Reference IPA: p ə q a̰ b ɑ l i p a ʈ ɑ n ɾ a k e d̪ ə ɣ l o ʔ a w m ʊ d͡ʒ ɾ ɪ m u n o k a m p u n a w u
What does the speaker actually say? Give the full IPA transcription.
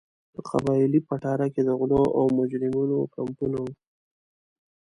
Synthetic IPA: p ə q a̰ b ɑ l i p a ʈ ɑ ɾ a k e d̪ ə ɣ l o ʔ a w m ʊ d͡ʒ ɾ ɪ m u n o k a m p u n a w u